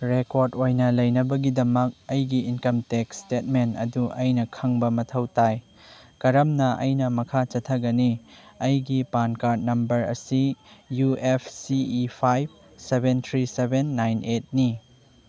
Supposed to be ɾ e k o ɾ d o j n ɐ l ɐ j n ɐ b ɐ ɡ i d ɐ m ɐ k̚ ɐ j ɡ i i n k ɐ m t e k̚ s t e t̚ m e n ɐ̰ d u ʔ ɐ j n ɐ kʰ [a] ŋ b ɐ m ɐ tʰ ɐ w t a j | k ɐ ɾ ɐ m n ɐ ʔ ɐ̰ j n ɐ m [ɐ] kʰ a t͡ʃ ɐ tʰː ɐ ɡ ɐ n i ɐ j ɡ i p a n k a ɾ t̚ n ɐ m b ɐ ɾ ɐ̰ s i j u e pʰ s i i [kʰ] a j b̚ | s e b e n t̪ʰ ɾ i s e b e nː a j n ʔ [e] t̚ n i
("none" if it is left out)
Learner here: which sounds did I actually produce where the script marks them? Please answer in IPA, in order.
ɐ, ɐ, pʰ, e

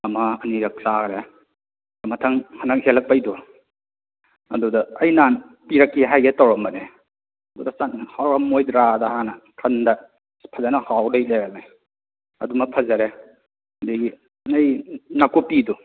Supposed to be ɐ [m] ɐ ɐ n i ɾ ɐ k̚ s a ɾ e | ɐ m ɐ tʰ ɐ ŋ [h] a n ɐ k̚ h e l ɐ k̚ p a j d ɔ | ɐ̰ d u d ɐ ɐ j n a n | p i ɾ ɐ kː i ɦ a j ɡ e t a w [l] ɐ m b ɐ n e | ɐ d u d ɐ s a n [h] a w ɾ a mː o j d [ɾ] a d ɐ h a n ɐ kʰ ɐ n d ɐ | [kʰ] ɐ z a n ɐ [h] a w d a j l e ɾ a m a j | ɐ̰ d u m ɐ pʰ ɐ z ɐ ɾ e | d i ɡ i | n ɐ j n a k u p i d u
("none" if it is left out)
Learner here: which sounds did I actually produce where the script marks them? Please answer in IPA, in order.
m, h, ɾ, h, ɾ, pʰ, h

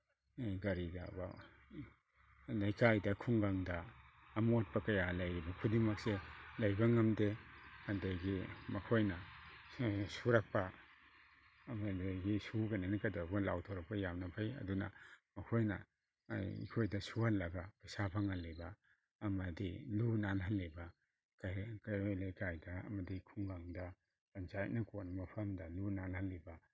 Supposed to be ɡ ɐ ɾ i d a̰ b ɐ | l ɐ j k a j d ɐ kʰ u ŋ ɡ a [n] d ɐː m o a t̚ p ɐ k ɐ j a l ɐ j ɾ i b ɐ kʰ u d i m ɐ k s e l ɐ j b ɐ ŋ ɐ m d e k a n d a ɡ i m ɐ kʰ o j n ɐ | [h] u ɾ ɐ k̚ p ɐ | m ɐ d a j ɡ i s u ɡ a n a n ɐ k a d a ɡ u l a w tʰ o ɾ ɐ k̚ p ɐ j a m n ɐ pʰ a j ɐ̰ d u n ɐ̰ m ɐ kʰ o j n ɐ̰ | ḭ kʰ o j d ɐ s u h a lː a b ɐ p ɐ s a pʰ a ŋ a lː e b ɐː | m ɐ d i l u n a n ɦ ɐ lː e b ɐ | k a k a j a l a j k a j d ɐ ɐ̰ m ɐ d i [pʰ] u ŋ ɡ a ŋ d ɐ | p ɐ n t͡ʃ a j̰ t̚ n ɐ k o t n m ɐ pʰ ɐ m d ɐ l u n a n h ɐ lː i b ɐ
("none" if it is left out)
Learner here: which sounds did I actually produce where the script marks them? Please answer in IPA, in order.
ŋ, s, kʰ

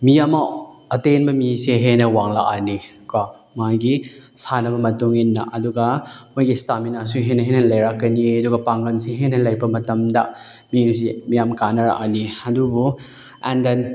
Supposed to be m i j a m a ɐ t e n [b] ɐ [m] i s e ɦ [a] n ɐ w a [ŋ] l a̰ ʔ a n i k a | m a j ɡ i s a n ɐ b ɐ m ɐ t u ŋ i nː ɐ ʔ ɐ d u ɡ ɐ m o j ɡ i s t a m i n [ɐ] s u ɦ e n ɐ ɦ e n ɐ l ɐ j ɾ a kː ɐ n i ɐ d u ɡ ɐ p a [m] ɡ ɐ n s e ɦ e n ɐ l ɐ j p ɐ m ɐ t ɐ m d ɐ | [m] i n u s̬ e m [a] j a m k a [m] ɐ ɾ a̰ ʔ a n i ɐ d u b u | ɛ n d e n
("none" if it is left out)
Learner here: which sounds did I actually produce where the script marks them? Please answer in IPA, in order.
b, m, e, ŋ, a, ŋ, m, i, n

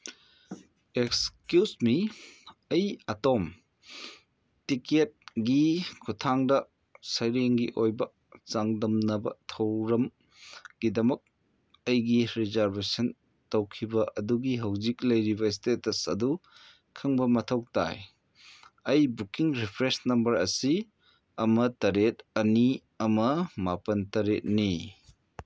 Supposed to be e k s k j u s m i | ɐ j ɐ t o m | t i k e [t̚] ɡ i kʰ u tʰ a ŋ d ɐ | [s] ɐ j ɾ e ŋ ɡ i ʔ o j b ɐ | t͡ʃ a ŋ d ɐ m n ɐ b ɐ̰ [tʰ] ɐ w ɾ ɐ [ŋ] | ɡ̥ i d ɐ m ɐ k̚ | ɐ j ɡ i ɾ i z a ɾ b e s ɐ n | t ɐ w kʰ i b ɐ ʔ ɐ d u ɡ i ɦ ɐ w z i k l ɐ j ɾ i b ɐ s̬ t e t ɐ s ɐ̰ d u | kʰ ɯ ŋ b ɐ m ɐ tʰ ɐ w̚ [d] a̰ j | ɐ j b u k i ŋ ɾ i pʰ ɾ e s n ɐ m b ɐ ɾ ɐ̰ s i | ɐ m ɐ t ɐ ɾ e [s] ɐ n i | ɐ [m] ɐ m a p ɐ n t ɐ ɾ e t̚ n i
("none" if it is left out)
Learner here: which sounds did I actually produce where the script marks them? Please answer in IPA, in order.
t̚, s, tʰ, m, t, t, m

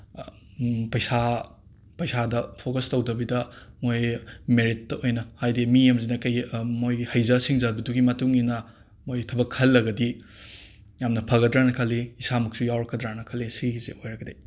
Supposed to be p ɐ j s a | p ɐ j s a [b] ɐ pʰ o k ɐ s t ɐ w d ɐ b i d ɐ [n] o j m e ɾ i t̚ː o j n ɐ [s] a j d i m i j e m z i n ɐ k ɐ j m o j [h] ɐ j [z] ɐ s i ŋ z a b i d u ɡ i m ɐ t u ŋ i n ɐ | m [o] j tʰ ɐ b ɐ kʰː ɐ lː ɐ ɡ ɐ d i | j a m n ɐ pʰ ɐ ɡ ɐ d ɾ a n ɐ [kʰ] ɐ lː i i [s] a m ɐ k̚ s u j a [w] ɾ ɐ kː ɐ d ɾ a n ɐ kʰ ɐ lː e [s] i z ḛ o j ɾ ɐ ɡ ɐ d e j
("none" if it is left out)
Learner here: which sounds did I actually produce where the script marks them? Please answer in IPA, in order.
d, m, h, h, z, o, kʰ, s, w, s

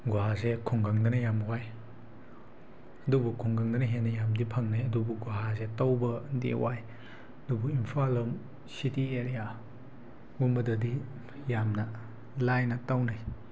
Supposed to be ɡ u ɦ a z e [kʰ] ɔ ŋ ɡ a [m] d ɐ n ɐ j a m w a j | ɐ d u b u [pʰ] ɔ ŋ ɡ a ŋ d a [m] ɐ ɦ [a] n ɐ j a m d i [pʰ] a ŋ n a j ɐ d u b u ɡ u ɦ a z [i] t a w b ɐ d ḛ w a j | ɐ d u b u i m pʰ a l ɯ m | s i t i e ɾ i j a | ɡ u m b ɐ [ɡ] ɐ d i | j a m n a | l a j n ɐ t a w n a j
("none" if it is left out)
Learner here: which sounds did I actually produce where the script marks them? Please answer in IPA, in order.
kʰ, ŋ, kʰ, n, e, pʰ, e, d

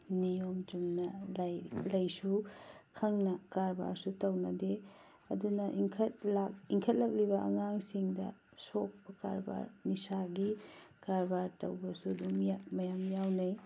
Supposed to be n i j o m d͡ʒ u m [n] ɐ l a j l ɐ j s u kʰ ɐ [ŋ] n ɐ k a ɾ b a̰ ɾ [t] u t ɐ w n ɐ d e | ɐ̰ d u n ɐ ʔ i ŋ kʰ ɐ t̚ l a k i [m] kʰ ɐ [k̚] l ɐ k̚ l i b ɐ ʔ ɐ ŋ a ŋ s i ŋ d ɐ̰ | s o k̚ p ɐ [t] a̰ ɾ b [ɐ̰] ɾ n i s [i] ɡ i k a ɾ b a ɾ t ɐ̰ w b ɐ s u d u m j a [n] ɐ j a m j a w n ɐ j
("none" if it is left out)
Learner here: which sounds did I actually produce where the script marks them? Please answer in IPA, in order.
n, ŋ, s, ŋ, t̚, k, a̰, a, m

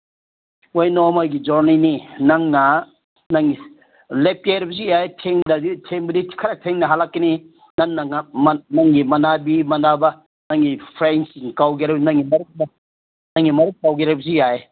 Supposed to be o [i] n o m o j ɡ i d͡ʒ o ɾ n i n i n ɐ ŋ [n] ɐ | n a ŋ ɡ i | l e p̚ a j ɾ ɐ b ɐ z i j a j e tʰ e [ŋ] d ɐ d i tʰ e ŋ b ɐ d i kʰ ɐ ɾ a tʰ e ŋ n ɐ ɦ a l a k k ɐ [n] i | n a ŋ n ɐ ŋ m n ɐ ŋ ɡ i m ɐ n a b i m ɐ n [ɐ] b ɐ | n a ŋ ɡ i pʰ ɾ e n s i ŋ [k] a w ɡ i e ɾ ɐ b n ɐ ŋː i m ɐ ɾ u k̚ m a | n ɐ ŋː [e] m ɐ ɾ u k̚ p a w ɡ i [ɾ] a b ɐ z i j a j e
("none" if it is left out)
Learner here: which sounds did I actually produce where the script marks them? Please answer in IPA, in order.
j, n, ŋ, n, a, k, i, ɾ

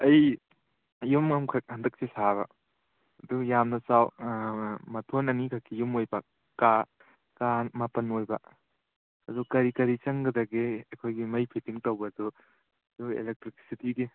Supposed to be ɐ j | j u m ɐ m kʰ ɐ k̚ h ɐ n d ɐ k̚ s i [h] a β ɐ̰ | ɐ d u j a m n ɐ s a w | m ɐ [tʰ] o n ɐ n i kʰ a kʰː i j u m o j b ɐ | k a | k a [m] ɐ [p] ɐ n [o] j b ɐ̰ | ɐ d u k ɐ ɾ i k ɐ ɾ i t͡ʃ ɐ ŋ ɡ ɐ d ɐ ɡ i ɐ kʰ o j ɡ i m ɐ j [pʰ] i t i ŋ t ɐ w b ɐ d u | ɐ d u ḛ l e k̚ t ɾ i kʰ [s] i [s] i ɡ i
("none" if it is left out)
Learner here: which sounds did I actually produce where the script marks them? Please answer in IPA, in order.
s, tʰ, m, p, o, pʰ, s, t

